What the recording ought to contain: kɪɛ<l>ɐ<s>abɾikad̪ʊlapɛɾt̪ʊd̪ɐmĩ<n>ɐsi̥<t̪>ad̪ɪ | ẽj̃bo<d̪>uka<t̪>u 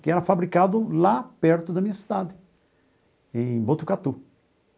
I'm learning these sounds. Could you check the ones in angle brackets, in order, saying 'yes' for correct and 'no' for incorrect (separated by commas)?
no, no, no, no, no, yes